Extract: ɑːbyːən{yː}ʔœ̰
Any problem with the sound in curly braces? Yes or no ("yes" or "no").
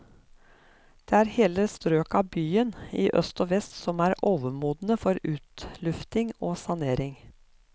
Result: yes